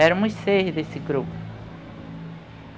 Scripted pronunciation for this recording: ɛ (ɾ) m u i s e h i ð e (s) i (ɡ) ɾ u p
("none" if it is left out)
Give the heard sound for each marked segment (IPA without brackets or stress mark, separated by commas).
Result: ɾ, s, ɡ